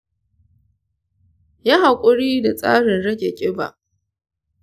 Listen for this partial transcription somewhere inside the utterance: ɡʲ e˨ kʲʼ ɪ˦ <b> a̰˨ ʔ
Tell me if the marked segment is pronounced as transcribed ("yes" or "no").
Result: yes